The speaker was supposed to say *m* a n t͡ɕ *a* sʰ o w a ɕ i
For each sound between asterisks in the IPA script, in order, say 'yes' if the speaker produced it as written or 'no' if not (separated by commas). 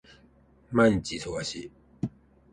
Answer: yes, no